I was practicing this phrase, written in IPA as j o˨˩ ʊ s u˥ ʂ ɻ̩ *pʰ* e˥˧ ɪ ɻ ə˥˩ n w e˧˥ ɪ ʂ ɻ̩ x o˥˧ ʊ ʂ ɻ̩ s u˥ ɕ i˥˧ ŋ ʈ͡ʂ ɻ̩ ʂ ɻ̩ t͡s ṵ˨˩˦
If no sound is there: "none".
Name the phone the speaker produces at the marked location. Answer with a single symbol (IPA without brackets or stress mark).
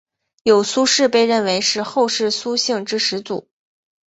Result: p